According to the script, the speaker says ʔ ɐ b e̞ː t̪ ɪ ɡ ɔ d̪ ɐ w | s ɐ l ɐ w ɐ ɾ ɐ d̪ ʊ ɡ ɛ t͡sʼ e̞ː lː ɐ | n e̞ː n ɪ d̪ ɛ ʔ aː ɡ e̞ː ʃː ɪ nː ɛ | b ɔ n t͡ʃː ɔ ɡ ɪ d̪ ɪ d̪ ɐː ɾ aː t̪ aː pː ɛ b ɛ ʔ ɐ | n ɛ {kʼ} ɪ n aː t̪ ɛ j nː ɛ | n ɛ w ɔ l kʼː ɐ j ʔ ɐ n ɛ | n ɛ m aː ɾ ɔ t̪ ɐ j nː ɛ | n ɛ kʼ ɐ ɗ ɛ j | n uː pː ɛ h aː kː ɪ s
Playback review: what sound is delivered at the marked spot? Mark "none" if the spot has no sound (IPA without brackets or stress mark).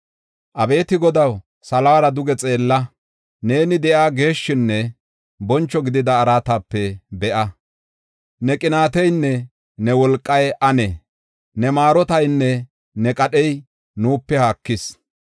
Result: kʼ